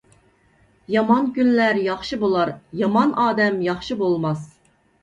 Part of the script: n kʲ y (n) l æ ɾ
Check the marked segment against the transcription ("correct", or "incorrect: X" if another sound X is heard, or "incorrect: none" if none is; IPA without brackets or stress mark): correct